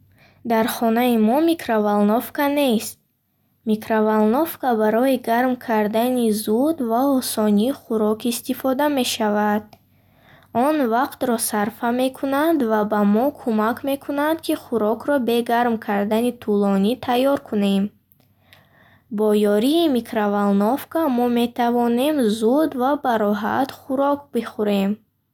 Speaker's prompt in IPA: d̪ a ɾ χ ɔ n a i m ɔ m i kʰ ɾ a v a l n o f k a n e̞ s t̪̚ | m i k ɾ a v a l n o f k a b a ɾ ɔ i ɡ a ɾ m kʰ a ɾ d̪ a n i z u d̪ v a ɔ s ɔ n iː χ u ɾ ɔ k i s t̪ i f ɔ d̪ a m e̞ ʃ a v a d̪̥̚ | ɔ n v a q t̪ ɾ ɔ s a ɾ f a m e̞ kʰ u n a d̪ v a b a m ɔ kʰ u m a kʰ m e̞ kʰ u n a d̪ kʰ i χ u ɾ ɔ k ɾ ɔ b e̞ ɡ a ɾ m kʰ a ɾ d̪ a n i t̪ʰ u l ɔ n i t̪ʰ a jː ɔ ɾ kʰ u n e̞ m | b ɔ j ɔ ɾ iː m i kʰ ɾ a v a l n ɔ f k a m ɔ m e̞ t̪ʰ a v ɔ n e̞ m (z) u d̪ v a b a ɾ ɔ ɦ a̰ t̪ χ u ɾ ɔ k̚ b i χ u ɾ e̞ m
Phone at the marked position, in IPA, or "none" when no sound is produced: z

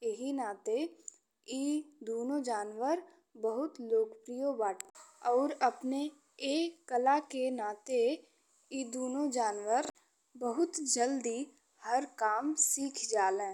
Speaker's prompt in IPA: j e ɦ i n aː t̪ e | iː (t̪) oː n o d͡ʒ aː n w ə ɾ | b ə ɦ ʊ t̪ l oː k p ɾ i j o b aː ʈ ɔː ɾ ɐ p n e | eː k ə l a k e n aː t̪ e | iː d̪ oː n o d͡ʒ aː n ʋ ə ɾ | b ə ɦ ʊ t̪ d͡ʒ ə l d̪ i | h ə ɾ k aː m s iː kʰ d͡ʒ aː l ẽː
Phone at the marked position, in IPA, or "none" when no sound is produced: d̪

